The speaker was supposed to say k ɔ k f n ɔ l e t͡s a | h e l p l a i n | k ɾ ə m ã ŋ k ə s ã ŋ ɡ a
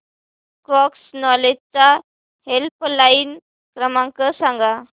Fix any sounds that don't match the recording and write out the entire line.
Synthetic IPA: k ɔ k s n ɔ l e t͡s a | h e l p l a i n | k ɾ ə m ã ŋ k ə s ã ŋ ɡ a